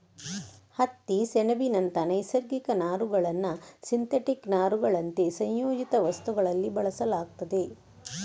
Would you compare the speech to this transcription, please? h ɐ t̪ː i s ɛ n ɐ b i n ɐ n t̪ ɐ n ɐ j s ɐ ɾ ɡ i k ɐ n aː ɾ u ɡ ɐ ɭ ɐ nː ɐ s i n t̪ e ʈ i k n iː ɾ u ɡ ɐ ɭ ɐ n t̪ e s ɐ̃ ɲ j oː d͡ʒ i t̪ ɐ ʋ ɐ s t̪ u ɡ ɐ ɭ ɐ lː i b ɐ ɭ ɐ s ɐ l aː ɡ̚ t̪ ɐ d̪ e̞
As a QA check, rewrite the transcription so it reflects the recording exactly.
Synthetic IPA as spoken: h ɐ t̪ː i s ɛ n ɐ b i n ɐ n t̪ ɐ n ɐ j s ɐ ɾ ɡ i k ɐ n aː ɾ u ɡ ɐ ɭ ɐ nː ɐ s i n t̪ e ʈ i k n aː ɾ u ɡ ɐ ɭ ɐ n t̪ e s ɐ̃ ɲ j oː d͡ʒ i t̪ ɐ ʋ ɐ s t̪ u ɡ ɐ ɭ ɐ lː i b ɐ ɭ ɐ s ɐ l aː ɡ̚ t̪ ɐ d̪ e̞